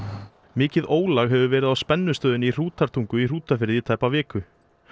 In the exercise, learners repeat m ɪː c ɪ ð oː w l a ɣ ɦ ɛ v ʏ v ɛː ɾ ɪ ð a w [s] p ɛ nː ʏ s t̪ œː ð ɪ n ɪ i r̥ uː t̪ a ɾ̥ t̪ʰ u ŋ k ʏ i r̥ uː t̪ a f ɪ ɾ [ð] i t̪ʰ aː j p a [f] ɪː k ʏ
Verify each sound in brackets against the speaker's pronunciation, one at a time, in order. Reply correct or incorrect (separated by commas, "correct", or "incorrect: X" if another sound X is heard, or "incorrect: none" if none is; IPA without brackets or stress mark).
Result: correct, correct, incorrect: v